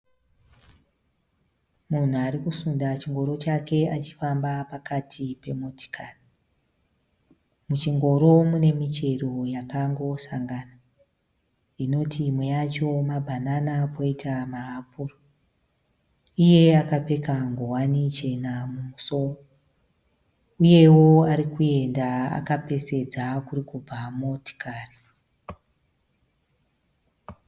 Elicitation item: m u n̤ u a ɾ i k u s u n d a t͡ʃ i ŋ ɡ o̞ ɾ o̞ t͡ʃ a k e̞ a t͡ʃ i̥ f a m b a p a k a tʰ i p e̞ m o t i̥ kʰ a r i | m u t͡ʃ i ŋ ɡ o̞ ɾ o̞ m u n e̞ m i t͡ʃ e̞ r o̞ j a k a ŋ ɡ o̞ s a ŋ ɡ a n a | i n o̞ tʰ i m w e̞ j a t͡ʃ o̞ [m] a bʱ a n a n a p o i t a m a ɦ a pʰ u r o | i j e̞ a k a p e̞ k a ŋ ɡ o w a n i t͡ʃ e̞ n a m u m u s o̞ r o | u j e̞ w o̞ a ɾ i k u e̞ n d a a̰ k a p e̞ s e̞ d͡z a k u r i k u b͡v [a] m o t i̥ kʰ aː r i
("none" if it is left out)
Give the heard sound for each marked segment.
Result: m, a

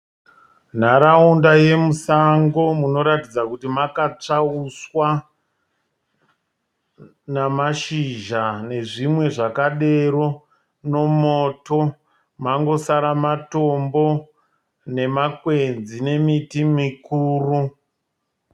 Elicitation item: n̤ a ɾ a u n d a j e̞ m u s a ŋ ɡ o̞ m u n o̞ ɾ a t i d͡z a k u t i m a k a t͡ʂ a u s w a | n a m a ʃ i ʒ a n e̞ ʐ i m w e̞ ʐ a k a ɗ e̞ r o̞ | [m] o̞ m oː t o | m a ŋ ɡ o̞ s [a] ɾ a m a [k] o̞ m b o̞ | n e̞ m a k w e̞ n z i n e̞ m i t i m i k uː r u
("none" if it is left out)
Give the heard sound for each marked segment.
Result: n, a, t

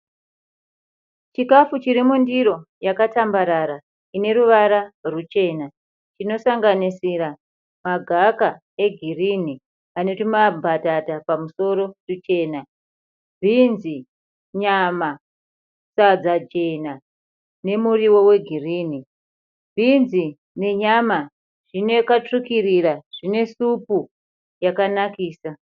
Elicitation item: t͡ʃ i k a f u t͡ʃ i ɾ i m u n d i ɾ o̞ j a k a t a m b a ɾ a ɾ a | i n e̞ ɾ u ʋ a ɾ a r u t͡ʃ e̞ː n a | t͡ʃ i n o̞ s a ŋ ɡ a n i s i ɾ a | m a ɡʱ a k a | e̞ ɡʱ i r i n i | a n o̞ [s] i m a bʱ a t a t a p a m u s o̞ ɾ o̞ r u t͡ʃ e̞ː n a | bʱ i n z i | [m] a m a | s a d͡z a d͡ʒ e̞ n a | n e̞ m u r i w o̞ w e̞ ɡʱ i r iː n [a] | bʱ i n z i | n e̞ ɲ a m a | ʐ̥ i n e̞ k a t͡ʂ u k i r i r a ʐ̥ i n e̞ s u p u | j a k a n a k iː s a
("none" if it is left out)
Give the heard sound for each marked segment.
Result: t, ɲ, i

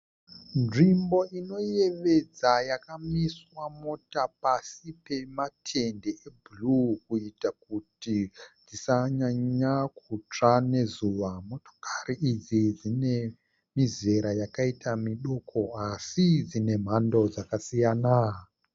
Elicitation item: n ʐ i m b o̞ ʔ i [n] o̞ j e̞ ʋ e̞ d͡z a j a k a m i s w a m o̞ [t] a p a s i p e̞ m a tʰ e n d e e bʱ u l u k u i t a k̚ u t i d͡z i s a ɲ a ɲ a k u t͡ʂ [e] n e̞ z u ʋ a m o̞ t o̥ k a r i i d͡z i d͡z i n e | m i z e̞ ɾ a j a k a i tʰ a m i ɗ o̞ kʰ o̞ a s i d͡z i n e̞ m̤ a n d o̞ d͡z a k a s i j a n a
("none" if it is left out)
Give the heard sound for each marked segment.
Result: n, t, a

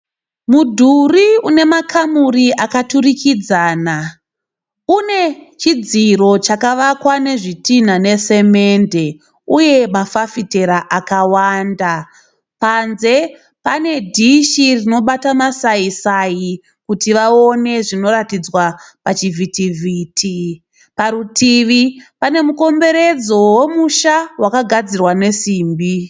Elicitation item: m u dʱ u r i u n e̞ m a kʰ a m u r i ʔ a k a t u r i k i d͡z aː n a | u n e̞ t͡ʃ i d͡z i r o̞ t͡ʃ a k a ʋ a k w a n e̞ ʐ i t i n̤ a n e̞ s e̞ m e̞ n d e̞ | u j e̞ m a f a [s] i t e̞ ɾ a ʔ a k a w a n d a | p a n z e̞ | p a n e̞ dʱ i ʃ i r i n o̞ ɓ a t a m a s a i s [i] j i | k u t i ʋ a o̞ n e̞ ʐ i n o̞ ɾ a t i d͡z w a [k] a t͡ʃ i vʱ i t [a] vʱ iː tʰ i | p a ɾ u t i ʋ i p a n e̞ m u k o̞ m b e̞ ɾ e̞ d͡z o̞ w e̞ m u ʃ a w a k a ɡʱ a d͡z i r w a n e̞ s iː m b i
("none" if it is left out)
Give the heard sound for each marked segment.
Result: f, a, p, i

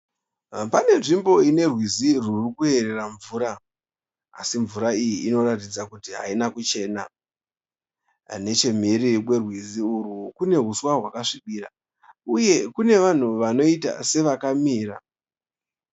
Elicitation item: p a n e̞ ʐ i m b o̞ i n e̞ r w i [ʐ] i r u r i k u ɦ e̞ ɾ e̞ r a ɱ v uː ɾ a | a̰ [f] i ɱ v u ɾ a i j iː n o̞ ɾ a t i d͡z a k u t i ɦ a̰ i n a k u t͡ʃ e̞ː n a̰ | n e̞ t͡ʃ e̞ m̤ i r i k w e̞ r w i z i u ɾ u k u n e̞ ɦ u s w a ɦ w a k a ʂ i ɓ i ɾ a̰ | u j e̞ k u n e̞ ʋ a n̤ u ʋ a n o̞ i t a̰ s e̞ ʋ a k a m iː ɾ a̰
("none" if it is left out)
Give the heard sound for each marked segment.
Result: z, s

